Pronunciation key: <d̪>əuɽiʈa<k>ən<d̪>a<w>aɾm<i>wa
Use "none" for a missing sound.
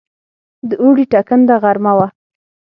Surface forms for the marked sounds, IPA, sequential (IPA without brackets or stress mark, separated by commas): d̪, k, d̪, ɣ, a